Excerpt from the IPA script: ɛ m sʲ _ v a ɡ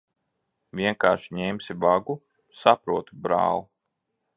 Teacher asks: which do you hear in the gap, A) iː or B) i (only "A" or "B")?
B